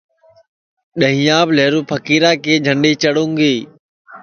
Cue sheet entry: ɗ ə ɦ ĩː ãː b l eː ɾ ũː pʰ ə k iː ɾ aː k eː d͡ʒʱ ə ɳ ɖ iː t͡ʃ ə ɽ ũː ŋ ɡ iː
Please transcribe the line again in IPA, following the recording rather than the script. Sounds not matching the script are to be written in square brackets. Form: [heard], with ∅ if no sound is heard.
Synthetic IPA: ɗ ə ɦ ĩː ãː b l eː ɾ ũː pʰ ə k iː ɾ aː k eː d͡ʒʱ ə ɳ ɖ iː t͡ʃ ə ɽ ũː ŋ ɡ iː